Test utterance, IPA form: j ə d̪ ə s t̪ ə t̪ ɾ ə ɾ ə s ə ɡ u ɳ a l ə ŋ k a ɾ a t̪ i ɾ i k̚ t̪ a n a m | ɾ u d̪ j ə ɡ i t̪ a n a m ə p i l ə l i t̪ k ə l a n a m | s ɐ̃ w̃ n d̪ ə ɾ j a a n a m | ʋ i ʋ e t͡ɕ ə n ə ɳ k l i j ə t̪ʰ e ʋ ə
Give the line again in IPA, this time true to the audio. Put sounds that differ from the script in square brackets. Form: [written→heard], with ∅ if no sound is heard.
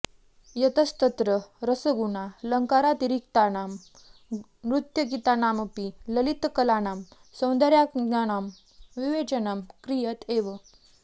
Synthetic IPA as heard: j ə [d̪→t̪] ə s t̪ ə t̪ ɾ ə ɾ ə s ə ɡ u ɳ a l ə ŋ k a ɾ a t̪ i ɾ i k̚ t̪ a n a m | ɾ u [d̪→t̪] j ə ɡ i t̪ a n a m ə p i l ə l i t̪ k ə l a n a m | s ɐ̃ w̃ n d̪ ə ɾ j a a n a m | ʋ i ʋ e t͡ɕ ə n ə [ɳ→m] k [l→ɾ] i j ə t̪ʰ e ʋ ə